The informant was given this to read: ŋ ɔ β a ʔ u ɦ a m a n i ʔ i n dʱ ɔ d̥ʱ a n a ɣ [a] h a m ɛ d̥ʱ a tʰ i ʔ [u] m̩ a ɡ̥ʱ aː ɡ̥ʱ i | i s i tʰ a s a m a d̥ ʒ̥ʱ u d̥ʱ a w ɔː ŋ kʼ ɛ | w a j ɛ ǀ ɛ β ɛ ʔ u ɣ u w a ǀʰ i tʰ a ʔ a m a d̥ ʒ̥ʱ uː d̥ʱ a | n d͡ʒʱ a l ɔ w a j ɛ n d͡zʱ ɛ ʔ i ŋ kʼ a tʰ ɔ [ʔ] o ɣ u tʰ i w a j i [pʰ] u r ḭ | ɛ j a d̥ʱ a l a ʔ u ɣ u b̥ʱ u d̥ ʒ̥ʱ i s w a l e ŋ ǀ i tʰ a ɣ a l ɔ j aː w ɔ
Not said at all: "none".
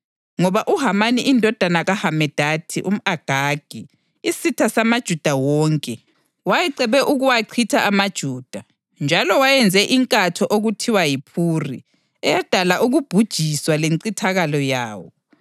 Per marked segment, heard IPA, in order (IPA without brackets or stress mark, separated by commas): a, u, ʔ, pʰ